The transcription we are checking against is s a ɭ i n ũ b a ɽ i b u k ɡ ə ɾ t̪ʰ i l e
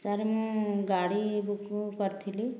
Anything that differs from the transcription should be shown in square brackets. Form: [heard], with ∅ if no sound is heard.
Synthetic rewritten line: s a [ɾ] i [m] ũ [ɡ] a ɽ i b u k [k] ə ɾ t̪ʰ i l [i]